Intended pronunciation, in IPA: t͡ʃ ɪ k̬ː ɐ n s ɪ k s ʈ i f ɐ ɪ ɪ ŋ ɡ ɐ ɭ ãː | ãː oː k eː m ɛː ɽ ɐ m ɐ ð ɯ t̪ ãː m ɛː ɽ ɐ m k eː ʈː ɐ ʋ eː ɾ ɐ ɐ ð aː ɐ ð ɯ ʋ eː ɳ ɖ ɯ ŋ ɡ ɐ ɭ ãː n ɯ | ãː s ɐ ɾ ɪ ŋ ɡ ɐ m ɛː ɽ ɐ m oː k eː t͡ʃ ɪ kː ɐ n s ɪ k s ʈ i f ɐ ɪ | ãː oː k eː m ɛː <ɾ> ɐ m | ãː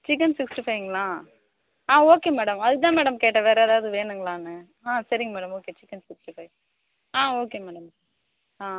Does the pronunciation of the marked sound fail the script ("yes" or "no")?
yes